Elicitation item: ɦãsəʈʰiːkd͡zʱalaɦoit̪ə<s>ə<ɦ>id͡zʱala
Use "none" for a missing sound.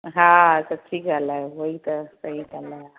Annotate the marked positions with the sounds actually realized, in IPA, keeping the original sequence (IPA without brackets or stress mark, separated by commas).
s, ɦ